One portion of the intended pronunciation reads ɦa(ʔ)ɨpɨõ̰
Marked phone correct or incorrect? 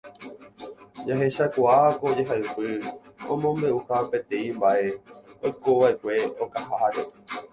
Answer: incorrect